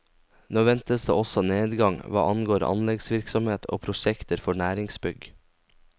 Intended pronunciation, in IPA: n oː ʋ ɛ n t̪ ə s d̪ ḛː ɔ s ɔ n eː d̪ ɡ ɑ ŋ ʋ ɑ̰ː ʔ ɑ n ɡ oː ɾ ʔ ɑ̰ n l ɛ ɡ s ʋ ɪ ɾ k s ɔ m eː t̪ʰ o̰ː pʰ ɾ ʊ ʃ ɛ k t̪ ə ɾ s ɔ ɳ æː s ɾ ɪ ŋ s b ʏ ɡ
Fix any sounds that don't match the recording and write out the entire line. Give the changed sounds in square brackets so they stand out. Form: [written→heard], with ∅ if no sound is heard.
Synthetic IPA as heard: n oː ʋ ɛ n t̪ ə s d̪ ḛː ɔ s ɔ n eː d̪ ɡ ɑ ŋ ʋ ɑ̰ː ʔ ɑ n ɡ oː ɾ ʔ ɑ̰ n l ɛ ɡ s ʋ ɪ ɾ k s ɔ m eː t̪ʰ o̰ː pʰ ɾ ʊ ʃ ɛ k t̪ ə ɾ [s→f] ɔ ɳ æː [s→∅] ɾ ɪ ŋ s b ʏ ɡ

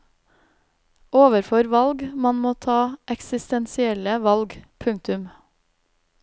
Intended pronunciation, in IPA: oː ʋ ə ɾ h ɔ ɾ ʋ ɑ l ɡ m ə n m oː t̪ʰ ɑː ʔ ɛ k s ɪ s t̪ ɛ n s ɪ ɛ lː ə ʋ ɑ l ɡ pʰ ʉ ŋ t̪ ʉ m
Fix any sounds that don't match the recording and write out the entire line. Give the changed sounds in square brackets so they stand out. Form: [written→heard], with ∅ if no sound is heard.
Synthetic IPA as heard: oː ʋ ə ɾ [h→f] ɔ ɾ ʋ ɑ l ɡ m [ə→ɑ] n m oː t̪ʰ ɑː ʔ ɛ k s ɪ s t̪ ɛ n s ɪ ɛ [lː→l] ə ʋ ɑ l ɡ pʰ ʉ ŋ t̪ ʉ m

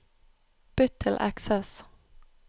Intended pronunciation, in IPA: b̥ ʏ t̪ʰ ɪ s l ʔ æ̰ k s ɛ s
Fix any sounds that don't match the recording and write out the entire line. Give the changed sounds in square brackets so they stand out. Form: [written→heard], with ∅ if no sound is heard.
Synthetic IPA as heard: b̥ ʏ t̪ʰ ɪ [s→∅] l ʔ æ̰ k s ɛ s

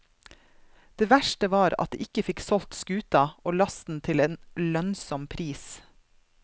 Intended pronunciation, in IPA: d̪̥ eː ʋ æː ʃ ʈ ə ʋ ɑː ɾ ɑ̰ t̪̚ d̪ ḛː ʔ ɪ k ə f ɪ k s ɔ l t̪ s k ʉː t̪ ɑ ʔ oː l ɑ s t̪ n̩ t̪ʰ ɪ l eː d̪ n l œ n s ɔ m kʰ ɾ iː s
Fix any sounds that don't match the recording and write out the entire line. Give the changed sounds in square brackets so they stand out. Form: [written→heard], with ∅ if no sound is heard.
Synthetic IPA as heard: d̪̥ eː ʋ [æː→æ] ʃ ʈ ə ʋ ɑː ɾ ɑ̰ t̪̚ d̪ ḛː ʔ ɪ k ə f ɪ k s ɔ l t̪ s k ʉː t̪ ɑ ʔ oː l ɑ s t̪ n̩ t̪ʰ ɪ l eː [d̪→∅] n l œ n s ɔ m [kʰ→pʰ] ɾ iː s

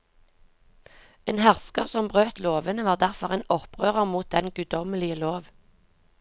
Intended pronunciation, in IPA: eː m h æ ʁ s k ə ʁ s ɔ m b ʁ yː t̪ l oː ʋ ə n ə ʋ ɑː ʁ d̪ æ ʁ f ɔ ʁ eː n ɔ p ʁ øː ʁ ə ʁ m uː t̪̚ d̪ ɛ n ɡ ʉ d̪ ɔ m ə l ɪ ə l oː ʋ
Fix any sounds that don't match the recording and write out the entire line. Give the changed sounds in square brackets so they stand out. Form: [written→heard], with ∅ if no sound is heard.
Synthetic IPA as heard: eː [m→n] h æ ʁ s k ə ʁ s ɔ m b ʁ [yː→øː] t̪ l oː ʋ ə n ə ʋ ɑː ʁ d̪ æ ʁ f ɔ ʁ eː n ɔ p ʁ øː ʁ ə ʁ m uː t̪̚ d̪ ɛ n ɡ ʉ d̪ ɔ m ə l ɪ ə l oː ʋ

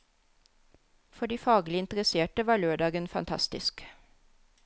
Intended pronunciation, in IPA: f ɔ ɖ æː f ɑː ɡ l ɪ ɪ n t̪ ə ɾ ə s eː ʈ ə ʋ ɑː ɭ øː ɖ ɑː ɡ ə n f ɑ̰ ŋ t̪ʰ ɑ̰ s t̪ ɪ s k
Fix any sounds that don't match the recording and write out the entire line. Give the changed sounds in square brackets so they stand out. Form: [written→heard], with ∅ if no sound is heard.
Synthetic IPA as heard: f ɔ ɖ [æː→iː] f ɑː ɡ l ɪ ɪ n t̪ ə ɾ ə s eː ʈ ə ʋ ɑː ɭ øː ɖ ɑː ɡ ə n f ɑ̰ [ŋ→n] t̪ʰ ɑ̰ s t̪ ɪ s k

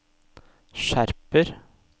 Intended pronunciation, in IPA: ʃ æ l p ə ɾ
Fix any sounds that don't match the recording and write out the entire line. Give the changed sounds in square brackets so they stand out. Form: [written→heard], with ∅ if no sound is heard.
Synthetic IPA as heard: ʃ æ [l→ɾ] p ə ɾ

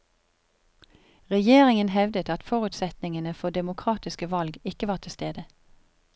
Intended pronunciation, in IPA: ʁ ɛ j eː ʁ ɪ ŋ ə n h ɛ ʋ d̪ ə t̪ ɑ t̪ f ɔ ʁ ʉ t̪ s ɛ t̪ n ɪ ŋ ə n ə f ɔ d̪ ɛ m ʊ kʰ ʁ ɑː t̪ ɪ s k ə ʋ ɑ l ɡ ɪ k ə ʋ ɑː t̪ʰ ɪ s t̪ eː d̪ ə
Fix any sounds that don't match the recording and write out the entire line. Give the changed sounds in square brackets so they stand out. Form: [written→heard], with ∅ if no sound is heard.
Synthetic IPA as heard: ʁ ɛ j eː ʁ ɪ ŋ ə n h ɛ ʋ d̪ ə t̪ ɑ t̪ f ɔ ʁ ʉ t̪ s ɛ t̪ n ɪ ŋ ə n ə f ɔ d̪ ɛ m ʊ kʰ ʁ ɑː t̪ ɪ s k ə ʋ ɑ l ɡ ɪ k ə ʋ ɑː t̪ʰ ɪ s t̪ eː d̪ ə

